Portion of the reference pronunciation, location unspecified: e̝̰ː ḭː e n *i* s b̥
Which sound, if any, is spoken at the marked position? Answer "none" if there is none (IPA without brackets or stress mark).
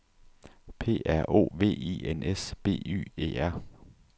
e